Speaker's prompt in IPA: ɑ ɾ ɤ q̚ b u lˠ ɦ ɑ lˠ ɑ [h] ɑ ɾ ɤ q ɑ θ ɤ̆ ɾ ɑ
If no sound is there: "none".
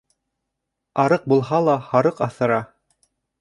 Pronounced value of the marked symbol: h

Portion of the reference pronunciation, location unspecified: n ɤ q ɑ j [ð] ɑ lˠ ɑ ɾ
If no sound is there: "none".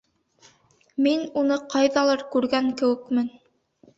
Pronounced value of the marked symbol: ð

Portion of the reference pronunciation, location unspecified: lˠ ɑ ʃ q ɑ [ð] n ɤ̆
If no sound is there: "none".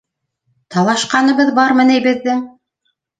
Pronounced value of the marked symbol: none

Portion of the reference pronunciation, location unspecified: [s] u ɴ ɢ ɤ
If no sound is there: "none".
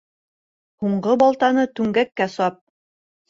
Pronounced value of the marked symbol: h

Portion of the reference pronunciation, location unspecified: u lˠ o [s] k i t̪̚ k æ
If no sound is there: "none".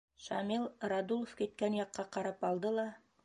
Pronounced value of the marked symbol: f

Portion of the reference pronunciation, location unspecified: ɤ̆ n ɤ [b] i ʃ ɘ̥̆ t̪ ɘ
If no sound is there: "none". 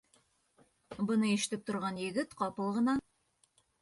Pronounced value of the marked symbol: none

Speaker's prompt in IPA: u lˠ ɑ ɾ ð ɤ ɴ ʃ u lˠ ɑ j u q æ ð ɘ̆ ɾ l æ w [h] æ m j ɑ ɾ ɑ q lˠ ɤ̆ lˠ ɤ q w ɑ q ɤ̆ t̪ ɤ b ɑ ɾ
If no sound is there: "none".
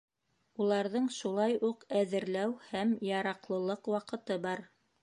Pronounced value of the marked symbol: h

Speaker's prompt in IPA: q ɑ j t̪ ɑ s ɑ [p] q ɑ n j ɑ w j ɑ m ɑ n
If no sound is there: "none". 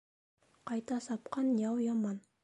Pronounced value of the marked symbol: p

